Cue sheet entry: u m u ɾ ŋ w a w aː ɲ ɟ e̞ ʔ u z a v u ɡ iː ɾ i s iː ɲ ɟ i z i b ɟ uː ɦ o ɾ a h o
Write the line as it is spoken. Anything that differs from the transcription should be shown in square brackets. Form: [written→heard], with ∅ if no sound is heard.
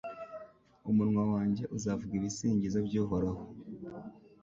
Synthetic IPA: u m u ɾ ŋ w a w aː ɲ ɟ e̞ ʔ u z a v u ɡ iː ɾ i s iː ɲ ɟ i z [i→a] b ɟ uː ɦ o ɾ a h o